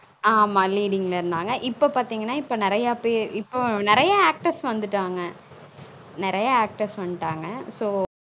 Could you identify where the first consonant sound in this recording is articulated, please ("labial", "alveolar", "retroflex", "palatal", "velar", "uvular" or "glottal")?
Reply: labial